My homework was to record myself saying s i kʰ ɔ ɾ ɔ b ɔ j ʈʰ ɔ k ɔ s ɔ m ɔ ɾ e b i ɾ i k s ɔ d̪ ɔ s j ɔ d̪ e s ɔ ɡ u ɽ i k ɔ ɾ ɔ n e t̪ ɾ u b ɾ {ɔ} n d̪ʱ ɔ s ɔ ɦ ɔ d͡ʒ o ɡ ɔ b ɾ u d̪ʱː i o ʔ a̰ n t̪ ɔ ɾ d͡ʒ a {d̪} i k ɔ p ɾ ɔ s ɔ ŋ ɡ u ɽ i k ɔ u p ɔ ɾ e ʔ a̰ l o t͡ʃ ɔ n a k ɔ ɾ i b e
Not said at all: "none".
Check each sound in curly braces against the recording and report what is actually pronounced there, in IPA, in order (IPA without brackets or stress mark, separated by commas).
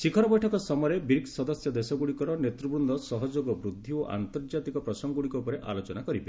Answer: u, t̪